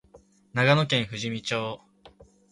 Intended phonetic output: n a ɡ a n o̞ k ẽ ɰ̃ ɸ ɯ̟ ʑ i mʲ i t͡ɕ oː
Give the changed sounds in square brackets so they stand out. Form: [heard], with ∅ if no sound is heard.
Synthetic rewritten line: n a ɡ a n o̞ k ẽ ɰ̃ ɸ ɯ̟ ʑ i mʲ i t͡ɕ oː

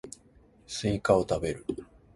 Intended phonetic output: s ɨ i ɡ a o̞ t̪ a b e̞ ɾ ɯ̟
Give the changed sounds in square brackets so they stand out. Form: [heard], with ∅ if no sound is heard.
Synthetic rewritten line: s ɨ i [k] a o̞ t̪ a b e̞ ɾ ɯ̟

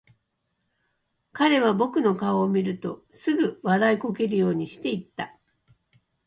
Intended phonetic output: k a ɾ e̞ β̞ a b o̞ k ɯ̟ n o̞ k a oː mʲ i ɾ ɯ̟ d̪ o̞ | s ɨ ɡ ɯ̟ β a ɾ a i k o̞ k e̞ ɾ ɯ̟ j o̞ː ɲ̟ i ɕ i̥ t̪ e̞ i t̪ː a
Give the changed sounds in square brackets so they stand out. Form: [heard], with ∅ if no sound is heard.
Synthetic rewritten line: k a ɾ e̞ β̞ a b o̞ k ɯ̟ n o̞ k a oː mʲ i ɾ ɯ̟ [t̪] o̞ | s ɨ ɡ ɯ̟ β a ɾ a i k o̞ k e̞ ɾ ɯ̟ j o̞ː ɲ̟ i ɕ i̥ t̪ e̞ i t̪ː a

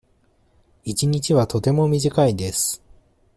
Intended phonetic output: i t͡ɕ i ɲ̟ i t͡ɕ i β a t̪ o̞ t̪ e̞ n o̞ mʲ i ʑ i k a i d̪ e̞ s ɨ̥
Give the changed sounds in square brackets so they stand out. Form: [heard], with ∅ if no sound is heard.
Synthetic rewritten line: i t͡ɕ i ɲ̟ i t͡ɕ i β a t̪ o̞ t̪ e̞ [m] o̞ mʲ i ʑ i k a i d̪ e̞ s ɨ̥

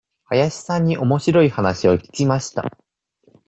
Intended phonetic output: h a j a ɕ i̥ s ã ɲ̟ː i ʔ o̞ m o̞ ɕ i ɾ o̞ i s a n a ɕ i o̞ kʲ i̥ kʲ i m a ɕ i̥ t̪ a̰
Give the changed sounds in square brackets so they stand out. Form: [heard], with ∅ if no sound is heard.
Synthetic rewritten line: h a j a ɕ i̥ s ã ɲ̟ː i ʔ o̞ m o̞ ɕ i ɾ o̞ i [h] a n a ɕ i o̞ kʲ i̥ kʲ i m a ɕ i̥ t̪ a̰

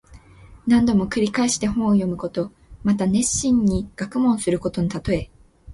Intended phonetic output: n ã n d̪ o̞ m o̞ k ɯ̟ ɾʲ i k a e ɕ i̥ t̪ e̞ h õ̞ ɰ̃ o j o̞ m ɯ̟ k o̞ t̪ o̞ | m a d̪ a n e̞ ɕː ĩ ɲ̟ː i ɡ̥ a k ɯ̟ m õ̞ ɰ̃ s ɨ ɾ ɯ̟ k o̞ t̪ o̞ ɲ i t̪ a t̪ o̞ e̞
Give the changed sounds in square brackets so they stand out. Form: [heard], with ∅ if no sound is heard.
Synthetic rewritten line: n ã n d̪ o̞ m o̞ k ɯ̟ ɾʲ i k a e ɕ i̥ t̪ e̞ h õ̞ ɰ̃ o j o̞ m ɯ̟ k o̞ t̪ o̞ | m a [t̪] a n e̞ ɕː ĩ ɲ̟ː i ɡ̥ a k ɯ̟ m õ̞ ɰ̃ s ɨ ɾ ɯ̟ k o̞ t̪ o̞ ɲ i t̪ a t̪ o̞ e̞

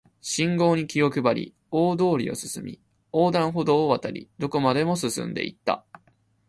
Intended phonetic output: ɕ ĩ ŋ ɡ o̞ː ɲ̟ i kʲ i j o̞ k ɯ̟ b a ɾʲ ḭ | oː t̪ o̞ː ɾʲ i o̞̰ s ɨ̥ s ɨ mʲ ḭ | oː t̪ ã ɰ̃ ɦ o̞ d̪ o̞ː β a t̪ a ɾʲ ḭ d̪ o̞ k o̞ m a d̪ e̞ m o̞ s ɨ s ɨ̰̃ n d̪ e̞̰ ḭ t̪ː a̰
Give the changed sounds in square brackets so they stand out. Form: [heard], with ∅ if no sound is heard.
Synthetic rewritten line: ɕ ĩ ŋ ɡ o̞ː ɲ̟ i kʲ i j o̞ k ɯ̟ b a ɾʲ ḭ | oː [d̪] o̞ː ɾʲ i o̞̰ s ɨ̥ s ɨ mʲ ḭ | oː [d̪] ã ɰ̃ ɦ o̞ d̪ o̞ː β a t̪ a ɾʲ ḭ d̪ o̞ k o̞ m a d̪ e̞ m o̞ s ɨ s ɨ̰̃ n d̪ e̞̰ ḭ t̪ː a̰

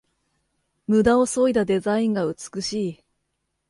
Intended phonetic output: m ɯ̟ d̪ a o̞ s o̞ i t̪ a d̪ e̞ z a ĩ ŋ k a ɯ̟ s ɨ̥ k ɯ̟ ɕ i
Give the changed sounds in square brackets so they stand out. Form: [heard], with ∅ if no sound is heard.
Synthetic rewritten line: m ɯ̟ d̪ a o̞ s o̞ i [d̪] a d̪ e̞ z a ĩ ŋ [ɡ] a ɯ̟ [t͡s] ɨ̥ k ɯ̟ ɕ [iː]

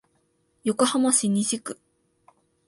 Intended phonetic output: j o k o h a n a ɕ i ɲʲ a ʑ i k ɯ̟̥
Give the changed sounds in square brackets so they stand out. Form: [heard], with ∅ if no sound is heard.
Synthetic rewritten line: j o k o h a [m] a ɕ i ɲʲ [i] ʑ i k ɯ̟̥

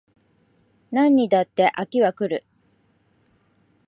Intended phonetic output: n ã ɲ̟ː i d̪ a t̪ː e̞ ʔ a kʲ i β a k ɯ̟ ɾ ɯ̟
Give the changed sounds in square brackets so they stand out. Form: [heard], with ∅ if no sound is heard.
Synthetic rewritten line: n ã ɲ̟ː i d̪ a t̪ː e̞ ʔ a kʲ i β a k ɯ̟ ɾ ɯ̟

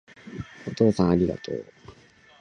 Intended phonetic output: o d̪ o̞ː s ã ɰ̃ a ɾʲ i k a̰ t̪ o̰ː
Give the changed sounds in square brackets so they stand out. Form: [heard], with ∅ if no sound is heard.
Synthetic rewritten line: o [t̪] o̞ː s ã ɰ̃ a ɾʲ i [ɡ] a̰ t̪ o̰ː

